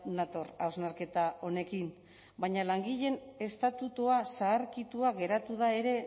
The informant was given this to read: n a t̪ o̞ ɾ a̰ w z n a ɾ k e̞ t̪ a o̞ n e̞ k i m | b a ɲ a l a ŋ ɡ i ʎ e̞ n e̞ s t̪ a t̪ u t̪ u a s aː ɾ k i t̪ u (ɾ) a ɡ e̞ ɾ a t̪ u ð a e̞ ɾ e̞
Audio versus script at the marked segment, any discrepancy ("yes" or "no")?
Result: yes